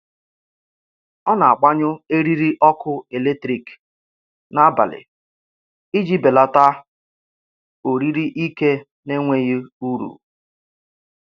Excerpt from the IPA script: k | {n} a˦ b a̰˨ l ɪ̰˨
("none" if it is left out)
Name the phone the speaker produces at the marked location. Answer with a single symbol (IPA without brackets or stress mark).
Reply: n